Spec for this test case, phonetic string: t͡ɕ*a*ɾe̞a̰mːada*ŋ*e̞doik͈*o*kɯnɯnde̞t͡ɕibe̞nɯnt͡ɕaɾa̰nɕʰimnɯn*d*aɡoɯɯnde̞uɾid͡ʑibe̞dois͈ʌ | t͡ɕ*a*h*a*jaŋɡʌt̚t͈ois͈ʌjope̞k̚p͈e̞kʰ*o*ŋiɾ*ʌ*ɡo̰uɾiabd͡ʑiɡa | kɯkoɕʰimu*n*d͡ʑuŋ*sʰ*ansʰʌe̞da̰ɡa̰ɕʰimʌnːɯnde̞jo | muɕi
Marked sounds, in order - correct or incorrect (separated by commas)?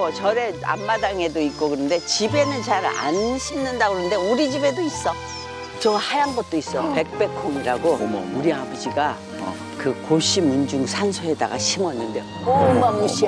incorrect, correct, correct, correct, incorrect, correct, correct, incorrect, correct, correct